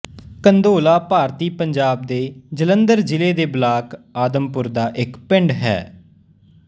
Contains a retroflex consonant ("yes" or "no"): yes